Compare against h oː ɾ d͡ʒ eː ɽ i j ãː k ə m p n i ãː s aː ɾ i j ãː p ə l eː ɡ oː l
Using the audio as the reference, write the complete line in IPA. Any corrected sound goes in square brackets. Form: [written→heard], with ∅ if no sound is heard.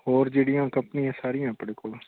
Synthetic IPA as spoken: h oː ɾ d͡ʒ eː ɽ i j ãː k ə m p n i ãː s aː ɾ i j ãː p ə [l→ɽ] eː [ɡ→k] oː l